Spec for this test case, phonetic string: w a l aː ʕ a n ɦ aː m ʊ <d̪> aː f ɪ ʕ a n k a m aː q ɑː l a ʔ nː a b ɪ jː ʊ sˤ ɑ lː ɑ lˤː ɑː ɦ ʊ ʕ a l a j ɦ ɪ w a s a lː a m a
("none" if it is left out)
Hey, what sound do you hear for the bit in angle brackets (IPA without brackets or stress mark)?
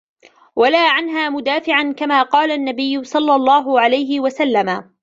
d̪